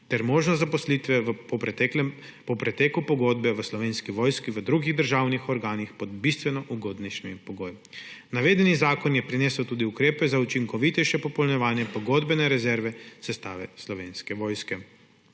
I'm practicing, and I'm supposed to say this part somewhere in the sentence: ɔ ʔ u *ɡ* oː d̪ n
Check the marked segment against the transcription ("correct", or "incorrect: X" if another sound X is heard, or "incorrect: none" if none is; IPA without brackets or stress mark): correct